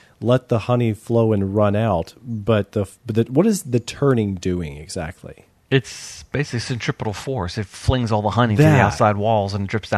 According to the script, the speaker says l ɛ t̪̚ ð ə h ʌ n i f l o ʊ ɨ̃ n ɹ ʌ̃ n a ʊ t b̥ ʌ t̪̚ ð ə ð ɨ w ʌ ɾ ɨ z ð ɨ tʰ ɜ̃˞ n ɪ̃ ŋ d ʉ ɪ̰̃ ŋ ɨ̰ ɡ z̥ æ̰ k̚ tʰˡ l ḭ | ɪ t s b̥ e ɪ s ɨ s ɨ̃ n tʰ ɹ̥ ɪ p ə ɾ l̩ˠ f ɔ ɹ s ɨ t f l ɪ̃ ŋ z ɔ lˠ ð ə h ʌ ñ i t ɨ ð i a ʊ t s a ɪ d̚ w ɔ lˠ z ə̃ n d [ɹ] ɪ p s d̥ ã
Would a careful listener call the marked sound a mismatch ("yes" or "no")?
no